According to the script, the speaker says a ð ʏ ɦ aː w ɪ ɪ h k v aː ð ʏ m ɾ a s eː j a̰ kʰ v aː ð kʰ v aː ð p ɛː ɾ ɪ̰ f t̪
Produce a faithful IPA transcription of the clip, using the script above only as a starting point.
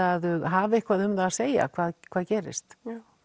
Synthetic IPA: a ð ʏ ɦ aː v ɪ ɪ h k v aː ð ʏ m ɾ a s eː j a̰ kʰ v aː ð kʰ v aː ð c ɛː ɾ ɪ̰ s t̪